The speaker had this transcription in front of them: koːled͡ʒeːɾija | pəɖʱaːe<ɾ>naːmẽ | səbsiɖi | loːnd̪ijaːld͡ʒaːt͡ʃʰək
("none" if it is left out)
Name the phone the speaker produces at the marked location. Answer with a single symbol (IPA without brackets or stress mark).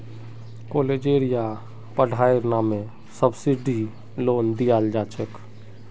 ɾ